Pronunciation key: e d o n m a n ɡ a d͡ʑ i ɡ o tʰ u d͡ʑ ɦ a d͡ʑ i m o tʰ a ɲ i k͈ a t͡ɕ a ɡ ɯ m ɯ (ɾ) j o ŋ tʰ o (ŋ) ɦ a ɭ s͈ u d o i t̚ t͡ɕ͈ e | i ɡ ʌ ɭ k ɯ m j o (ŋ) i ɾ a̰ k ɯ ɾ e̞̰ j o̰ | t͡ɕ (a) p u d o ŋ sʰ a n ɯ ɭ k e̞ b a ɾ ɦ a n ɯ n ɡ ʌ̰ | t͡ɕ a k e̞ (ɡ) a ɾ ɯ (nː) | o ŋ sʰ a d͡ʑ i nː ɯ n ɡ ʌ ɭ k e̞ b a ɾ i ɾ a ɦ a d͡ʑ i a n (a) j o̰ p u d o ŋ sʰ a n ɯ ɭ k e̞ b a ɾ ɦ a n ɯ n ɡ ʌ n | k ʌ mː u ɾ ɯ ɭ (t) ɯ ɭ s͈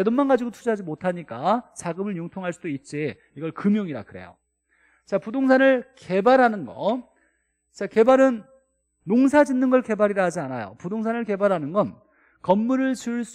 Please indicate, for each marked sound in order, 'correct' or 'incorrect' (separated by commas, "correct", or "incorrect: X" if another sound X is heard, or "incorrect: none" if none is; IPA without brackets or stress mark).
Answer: incorrect: ɭ, correct, correct, correct, incorrect: b, correct, correct, incorrect: t͡ɕ